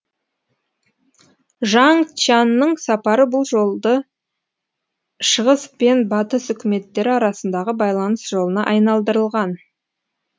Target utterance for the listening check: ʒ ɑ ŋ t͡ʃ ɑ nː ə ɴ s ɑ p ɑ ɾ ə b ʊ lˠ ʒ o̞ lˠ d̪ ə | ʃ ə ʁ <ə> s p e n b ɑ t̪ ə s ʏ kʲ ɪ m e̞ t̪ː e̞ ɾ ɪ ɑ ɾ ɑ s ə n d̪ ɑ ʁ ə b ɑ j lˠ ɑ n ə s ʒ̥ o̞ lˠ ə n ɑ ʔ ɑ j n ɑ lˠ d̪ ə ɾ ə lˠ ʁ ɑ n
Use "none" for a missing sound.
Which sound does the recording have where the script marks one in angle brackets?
ə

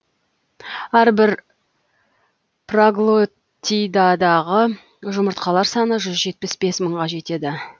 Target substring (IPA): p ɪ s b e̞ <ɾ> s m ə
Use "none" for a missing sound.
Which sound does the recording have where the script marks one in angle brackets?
none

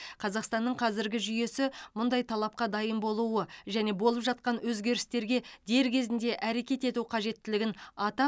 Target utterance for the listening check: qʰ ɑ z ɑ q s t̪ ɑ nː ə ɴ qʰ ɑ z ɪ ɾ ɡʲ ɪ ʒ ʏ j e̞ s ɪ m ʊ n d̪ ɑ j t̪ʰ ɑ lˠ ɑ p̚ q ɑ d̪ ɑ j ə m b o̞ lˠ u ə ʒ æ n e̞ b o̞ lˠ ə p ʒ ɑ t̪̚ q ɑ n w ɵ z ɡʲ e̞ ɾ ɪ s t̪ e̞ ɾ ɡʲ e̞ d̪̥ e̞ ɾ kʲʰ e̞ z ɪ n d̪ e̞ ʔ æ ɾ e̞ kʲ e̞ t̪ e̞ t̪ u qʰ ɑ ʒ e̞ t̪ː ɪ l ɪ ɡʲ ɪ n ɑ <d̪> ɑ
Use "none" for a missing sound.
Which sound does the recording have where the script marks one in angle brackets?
t̪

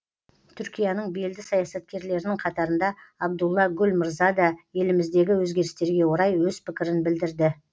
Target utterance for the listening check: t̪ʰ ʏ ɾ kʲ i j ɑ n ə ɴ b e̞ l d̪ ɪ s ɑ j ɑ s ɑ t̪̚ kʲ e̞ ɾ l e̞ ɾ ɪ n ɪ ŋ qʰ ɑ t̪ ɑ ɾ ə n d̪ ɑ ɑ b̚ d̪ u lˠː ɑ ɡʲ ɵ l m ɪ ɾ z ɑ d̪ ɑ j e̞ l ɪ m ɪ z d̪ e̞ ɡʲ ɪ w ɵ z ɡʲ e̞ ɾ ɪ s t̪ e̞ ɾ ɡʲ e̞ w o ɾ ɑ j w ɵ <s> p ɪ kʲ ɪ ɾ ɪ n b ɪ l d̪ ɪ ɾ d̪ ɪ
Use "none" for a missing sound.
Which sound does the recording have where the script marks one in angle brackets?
z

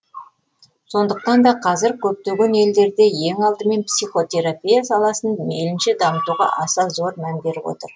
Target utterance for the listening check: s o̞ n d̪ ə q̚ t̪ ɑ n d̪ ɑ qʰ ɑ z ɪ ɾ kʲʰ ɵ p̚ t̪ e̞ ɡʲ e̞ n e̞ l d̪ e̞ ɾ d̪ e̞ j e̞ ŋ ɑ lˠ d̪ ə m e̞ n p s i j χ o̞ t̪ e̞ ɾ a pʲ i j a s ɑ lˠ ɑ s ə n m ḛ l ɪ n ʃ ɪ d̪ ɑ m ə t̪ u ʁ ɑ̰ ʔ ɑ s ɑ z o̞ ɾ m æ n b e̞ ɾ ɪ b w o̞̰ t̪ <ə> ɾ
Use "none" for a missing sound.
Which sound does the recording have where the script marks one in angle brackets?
ə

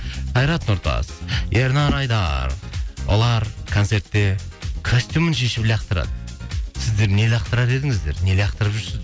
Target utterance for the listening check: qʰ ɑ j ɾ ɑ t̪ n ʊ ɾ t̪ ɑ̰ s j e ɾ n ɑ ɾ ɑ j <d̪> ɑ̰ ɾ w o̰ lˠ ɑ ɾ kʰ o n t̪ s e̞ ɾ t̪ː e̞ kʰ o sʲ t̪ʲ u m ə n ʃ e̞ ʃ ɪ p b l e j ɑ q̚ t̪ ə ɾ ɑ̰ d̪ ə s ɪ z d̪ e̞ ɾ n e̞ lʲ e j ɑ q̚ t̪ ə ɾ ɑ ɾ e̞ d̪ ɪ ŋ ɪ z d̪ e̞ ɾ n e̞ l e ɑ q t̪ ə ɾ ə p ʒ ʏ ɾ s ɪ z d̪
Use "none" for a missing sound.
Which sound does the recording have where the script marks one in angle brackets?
d̪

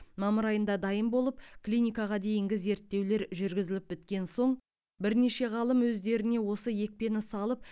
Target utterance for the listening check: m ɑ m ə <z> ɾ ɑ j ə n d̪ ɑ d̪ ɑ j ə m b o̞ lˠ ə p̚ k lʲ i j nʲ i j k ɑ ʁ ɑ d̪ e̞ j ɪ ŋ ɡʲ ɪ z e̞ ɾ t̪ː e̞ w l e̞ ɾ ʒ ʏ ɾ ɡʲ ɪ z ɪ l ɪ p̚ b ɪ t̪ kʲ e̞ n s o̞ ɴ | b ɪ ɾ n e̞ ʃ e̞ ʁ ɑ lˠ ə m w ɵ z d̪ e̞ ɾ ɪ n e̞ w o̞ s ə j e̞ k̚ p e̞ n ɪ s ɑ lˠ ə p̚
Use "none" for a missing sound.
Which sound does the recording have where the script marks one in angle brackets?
none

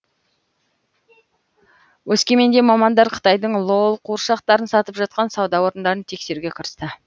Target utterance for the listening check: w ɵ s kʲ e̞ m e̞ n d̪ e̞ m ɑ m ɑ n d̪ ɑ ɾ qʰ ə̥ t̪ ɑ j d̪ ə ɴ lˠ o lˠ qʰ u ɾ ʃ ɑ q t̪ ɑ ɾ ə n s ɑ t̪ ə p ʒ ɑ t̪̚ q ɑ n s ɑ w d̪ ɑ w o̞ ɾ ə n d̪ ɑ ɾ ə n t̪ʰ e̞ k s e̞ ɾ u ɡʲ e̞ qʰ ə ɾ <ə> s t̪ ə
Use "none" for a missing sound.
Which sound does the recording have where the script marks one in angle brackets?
ə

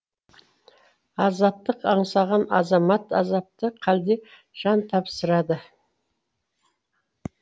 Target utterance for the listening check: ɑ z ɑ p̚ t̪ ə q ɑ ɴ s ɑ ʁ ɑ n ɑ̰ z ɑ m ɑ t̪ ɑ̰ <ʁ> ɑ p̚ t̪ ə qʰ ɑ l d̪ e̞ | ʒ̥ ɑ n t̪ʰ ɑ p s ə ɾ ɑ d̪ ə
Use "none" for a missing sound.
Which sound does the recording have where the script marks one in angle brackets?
z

